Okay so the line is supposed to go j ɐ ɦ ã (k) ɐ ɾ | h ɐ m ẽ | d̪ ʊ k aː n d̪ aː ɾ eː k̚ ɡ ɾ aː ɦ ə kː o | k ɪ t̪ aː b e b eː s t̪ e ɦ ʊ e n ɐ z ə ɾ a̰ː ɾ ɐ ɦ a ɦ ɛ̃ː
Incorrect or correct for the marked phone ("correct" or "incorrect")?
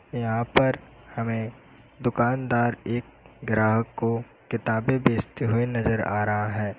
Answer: incorrect